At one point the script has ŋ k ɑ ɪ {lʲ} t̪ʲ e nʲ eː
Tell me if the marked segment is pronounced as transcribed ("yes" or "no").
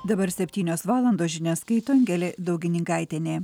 no